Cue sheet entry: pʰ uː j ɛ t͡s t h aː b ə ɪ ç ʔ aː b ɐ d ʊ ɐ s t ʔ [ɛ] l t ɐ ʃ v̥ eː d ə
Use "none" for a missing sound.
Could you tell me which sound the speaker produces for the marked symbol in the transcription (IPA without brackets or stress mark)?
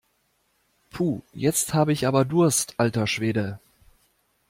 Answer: a